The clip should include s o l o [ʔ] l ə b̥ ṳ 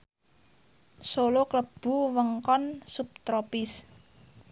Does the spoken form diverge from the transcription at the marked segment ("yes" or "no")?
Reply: yes